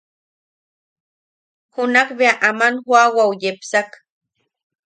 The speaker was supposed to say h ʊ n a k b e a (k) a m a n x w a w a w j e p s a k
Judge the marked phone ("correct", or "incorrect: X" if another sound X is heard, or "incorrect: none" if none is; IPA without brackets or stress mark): incorrect: ʔ